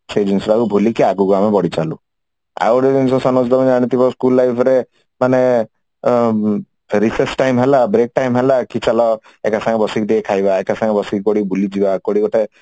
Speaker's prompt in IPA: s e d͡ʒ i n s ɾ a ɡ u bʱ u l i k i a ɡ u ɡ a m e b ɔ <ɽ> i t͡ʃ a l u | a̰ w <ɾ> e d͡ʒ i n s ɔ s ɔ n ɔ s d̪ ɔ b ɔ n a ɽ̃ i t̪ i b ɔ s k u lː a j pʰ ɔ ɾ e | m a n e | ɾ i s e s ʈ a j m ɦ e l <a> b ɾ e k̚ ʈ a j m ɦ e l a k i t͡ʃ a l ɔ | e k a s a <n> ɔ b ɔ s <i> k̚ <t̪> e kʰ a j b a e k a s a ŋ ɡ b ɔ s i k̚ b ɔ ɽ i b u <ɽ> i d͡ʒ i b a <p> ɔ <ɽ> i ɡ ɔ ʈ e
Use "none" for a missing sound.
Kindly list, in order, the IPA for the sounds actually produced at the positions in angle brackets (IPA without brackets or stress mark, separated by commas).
ɽ, ɾ, a, ŋ, i, d̪, l, k, ɽ